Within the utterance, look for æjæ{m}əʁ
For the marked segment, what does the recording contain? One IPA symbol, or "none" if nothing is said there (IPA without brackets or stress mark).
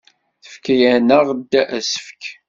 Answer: n